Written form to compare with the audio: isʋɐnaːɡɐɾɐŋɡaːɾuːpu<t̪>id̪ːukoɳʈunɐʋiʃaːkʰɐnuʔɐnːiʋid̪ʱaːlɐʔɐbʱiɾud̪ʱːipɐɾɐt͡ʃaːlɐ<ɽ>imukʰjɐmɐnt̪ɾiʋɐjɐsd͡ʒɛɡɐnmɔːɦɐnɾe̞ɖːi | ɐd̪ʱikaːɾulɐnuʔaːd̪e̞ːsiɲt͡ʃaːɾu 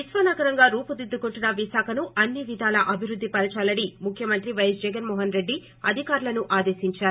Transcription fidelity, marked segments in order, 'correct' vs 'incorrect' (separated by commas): incorrect, correct